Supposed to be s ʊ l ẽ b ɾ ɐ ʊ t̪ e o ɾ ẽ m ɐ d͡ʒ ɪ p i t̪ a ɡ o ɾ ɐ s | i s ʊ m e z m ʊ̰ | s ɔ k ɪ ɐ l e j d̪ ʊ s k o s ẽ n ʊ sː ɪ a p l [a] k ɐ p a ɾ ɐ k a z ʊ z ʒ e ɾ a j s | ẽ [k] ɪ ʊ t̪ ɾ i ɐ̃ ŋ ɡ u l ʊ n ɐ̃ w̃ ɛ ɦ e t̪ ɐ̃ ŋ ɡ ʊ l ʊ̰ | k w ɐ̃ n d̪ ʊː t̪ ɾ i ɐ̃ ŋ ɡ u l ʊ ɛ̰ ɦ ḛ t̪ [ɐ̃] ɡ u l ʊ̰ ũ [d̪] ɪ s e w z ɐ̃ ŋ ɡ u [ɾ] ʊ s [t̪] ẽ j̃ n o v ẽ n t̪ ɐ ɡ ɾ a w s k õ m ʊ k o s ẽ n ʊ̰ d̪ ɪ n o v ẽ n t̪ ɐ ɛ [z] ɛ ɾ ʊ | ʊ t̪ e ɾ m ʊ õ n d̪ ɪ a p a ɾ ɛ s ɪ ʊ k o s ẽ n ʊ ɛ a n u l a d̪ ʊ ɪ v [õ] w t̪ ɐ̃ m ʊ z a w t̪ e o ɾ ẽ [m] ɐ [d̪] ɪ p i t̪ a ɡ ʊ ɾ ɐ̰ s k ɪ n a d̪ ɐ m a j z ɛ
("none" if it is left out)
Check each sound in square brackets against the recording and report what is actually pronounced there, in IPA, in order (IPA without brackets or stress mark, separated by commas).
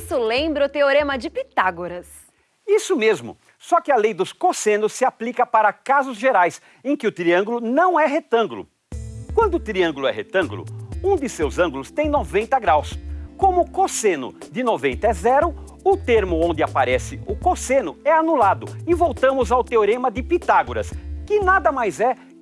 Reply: i, k, ɐ̃, d̪, l, t̪, z, o, m, d̪